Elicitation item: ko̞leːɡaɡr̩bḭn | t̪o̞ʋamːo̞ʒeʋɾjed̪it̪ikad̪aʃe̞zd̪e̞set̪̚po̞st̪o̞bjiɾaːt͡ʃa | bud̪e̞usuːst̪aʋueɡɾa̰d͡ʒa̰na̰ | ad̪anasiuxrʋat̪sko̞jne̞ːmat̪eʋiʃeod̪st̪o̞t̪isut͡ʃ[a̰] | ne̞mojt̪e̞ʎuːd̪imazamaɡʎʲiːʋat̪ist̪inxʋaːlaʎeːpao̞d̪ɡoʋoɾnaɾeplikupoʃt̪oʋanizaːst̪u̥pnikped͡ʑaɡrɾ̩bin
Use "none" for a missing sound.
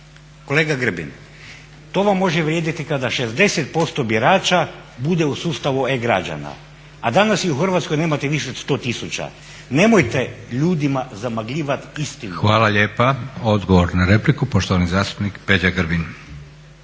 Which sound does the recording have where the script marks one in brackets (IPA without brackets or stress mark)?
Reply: a̰